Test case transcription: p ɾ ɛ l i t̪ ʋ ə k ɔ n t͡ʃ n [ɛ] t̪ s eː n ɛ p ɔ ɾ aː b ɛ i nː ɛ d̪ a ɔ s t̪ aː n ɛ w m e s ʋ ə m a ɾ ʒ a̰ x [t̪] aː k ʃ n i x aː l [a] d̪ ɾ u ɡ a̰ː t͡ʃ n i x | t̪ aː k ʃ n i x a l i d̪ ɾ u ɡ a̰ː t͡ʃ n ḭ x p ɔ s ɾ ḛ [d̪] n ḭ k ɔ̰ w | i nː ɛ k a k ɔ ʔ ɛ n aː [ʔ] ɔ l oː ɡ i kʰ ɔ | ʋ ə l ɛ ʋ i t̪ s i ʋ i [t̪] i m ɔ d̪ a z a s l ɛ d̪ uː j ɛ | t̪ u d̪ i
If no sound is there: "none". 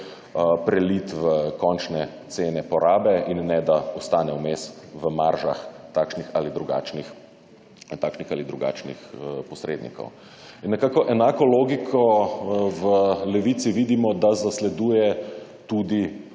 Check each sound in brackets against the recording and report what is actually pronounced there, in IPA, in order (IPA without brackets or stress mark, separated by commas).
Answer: ɛ, t̪, i, d̪, k, d̪